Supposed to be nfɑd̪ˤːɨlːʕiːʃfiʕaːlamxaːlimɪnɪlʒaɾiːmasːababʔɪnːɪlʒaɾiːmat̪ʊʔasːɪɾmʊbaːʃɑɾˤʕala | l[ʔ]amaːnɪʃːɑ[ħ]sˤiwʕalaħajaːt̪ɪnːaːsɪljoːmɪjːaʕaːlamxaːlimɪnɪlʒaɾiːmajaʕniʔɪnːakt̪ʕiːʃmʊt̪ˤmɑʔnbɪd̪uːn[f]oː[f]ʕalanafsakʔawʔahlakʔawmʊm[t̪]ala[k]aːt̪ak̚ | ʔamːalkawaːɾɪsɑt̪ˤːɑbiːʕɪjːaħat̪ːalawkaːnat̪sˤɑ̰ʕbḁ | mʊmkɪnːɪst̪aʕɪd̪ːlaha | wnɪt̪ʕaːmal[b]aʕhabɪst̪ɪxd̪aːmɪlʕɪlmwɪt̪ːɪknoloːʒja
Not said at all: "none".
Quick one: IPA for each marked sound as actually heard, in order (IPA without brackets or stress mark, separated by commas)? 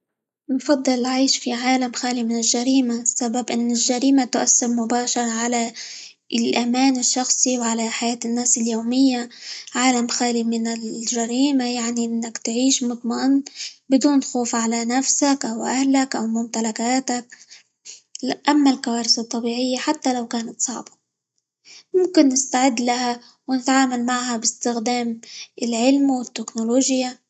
ʔ, x, x, f, t̪, k, m